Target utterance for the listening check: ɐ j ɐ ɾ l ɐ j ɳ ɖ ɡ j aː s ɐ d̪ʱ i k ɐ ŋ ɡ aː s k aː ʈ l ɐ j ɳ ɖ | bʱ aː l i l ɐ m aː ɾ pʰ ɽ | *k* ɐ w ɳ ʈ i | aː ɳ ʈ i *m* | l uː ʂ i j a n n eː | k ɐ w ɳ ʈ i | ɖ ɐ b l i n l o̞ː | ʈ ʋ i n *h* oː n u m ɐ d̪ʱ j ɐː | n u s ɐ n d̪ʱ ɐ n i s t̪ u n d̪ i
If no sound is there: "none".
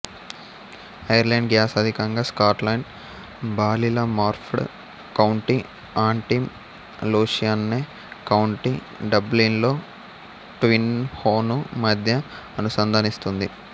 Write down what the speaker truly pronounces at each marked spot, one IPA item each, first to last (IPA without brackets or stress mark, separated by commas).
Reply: k, m, h